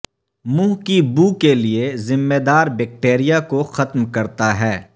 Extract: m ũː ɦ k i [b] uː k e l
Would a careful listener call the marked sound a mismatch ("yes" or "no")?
no